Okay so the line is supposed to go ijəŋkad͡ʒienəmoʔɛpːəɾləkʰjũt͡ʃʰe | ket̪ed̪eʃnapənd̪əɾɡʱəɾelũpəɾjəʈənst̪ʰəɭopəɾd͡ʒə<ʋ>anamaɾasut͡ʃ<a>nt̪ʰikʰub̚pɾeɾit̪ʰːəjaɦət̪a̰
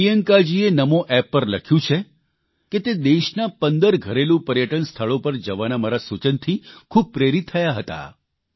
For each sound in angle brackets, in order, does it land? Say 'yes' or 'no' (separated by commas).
yes, no